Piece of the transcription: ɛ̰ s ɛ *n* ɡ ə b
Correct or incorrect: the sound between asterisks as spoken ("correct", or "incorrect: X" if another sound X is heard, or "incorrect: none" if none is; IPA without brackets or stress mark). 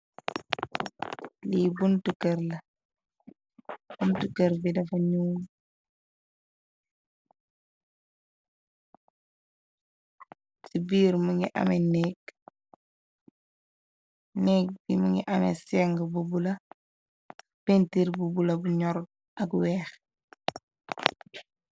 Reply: incorrect: ŋ